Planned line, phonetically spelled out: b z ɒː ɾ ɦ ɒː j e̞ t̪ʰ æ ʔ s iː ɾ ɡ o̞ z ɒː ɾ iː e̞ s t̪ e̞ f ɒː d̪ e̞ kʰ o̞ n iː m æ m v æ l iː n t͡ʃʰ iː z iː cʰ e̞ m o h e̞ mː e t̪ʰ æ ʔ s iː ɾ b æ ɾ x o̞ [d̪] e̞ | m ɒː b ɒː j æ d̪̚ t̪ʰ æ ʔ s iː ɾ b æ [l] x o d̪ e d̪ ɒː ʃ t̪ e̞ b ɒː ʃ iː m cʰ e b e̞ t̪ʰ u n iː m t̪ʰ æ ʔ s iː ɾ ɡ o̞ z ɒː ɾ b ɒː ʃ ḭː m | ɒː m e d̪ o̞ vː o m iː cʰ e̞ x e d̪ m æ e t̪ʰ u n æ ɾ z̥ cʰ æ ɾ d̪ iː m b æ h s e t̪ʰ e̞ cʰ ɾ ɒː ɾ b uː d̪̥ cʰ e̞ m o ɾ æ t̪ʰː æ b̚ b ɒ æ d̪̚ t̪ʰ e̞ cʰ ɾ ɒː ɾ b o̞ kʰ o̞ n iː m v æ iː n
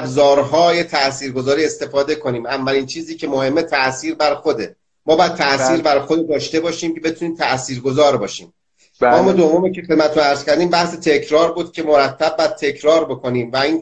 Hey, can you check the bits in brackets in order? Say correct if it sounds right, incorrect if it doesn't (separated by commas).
correct, incorrect